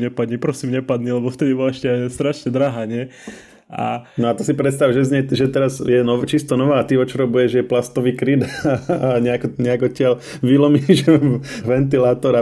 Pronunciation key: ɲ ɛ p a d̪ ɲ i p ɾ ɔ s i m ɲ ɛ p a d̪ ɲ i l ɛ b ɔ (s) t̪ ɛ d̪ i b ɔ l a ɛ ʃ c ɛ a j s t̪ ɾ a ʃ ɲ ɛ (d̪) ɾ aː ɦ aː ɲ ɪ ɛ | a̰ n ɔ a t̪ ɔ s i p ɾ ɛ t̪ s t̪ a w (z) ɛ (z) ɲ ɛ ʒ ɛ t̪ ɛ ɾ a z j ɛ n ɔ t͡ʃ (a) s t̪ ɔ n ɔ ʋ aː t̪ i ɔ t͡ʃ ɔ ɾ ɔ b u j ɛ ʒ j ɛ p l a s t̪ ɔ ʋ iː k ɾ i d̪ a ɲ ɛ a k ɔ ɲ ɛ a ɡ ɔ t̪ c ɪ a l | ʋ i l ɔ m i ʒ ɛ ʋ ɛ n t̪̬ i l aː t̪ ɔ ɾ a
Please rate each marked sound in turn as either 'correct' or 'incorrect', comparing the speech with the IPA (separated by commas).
incorrect, correct, incorrect, correct, incorrect